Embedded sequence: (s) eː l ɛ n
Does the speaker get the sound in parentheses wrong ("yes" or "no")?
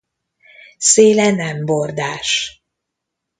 no